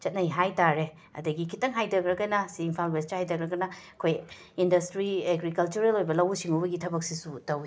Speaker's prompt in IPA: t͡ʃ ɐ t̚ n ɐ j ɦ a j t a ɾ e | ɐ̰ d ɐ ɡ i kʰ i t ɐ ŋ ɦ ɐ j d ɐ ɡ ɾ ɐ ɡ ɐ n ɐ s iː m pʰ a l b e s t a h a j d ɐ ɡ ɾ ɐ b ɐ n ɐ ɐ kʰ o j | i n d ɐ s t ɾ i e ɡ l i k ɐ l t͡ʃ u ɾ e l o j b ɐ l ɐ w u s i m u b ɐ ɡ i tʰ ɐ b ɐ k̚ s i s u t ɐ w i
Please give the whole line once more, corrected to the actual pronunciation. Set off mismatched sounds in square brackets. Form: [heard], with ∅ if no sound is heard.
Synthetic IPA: t͡ʃ ɐ t̚ n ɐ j ɦ a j t a ɾ e | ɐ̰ d ɐ ɡ i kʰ i t ɐ ŋ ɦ [a] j d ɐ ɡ ɾ ɐ ɡ ɐ n ɐ s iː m pʰ a l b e s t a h a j d ɐ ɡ ɾ ɐ [ɡ] ɐ n ɐ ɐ kʰ o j | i n d ɐ s t ɾ i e ɡ [ɾ] i k ɐ l t͡ʃ u ɾ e l o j b ɐ l ɐ w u s i [ŋ] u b ɐ ɡ i tʰ ɐ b ɐ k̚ s i s u t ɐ w i

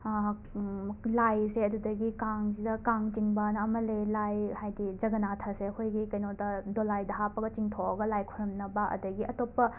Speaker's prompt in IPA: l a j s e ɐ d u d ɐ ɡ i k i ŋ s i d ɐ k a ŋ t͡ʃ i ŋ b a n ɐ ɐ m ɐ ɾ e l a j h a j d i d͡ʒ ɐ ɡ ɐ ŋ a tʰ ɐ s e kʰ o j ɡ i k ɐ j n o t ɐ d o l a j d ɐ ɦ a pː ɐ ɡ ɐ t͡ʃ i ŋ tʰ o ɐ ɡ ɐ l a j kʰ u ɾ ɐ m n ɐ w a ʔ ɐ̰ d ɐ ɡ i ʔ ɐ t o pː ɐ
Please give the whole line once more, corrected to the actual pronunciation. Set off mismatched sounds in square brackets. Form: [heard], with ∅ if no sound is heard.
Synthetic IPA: l a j s e ɐ d u d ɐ ɡ i k [a] ŋ s i d ɐ k a ŋ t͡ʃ i ŋ b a n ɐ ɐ m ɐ [l] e l a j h a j d i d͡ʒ ɐ ɡ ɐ [n] a tʰ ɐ s e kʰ o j ɡ i k ɐ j n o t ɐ d o l a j d ɐ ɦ a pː ɐ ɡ ɐ t͡ʃ i ŋ tʰ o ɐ ɡ ɐ l a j kʰ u ɾ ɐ m n ɐ [b] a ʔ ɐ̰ d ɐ ɡ i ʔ ɐ t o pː ɐ

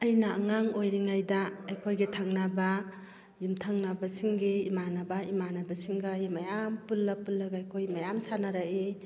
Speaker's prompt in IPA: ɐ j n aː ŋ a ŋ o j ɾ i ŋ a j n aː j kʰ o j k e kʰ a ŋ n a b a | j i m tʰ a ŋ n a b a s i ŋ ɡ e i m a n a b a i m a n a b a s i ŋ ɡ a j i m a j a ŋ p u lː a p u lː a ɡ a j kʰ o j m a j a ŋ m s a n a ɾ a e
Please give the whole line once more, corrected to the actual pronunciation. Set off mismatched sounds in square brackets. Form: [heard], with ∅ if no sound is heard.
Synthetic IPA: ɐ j n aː ŋ a ŋ o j ɾ i ŋ a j [d] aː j kʰ o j [ɡ] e [tʰ] a ŋ n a b a | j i m tʰ a ŋ n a b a s i ŋ ɡ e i m a n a b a i m a n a b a s i ŋ ɡ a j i m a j a [m] p u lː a p u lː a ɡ a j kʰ o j m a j a [∅] m s a n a ɾ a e

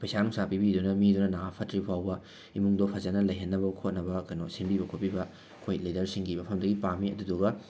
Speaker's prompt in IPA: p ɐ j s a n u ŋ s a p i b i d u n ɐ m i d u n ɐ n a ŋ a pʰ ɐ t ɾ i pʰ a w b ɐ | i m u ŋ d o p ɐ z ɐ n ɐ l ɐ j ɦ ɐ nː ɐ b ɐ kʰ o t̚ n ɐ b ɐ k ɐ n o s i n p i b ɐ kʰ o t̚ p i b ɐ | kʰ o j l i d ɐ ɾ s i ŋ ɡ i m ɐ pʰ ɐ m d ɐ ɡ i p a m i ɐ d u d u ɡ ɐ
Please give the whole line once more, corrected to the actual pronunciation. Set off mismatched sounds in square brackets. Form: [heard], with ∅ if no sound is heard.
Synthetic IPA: p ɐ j s a n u ŋ s a p i b i d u n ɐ m i d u n ɐ n a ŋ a pʰ ɐ t ɾ i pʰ a w b ɐ | i m u ŋ d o [pʰ] ɐ z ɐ n ɐ l ɐ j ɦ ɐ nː ɐ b ɐ kʰ o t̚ n ɐ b ɐ k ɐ n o s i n [b] i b ɐ kʰ o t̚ p i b ɐ | kʰ o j l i d ɐ ɾ s i ŋ ɡ i m ɐ pʰ ɐ m d ɐ ɡ i p a m i ɐ d u d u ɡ ɐ

